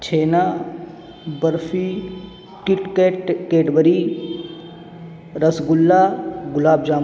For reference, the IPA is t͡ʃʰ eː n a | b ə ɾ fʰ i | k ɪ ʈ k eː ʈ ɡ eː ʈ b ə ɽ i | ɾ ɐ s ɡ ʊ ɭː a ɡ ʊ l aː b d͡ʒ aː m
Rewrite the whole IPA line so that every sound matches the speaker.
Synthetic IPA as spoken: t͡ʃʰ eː n a | b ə ɾ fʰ i | k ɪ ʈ k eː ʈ k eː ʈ b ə ɾ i | ɾ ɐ s ɡ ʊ lː a ɡ ʊ l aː b d͡ʒ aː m